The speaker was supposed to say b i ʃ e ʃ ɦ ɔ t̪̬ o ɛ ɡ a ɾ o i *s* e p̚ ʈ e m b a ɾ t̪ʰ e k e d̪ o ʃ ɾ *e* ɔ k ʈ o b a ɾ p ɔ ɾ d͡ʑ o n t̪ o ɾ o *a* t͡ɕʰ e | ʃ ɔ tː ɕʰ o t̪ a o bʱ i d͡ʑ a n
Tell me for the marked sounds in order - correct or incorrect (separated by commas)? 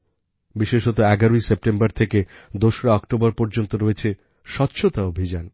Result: correct, incorrect, incorrect